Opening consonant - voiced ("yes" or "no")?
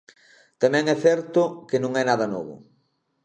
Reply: no